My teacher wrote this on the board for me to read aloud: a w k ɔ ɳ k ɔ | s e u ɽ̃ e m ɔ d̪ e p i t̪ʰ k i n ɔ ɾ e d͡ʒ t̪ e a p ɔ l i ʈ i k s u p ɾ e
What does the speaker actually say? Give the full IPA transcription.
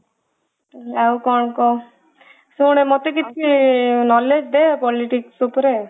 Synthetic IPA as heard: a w k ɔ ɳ k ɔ | s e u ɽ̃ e m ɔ t̪ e k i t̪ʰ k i n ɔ l e d͡ʒ d̪ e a p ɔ l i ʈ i k s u p ɾ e